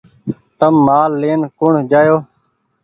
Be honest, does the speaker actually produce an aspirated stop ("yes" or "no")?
no